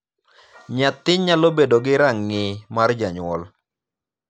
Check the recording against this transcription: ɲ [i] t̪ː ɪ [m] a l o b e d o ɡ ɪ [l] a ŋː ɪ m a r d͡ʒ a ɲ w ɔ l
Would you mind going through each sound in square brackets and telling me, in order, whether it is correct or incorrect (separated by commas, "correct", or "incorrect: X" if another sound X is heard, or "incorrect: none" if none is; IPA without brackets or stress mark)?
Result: incorrect: a, incorrect: ɲ, incorrect: ɾ